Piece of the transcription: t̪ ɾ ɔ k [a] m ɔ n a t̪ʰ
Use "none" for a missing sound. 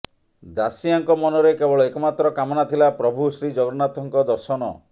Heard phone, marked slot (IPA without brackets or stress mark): a